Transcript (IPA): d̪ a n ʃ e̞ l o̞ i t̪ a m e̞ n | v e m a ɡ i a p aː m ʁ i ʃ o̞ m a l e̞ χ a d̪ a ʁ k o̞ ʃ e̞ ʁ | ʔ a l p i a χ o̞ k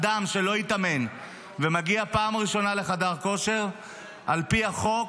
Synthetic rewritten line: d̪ a m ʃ e̞ l o̞ i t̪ a m e̞ n | v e m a ɡ i a p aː m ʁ i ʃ o̞ n a l e̞ χ a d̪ a ʁ k o̞ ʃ e̞ ʁ | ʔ a l p i a χ o̞ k